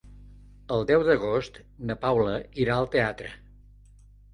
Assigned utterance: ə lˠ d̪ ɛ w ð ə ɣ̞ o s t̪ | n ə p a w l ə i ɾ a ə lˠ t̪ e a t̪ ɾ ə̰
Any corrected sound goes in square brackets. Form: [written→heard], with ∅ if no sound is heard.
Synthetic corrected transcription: ə lˠ d̪ ɛ w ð ə ɣ̞ o s t̪ | n ə p a w l ə i ɾ a ə lˠ t̪ e a t̪ ɾ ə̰